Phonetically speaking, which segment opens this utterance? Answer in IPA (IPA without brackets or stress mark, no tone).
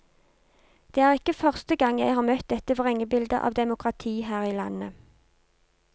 d̪̥